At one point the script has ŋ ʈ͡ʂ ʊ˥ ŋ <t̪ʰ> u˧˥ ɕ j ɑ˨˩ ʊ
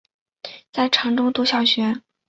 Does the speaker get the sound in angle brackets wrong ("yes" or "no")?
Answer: yes